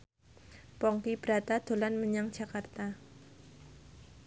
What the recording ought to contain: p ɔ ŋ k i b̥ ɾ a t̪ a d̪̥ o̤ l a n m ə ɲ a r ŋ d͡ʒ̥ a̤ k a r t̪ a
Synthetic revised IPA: p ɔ ŋ k i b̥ ɾ a t̪ a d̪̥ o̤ l a n m ə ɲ a ŋ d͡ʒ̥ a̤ k a r t̪ a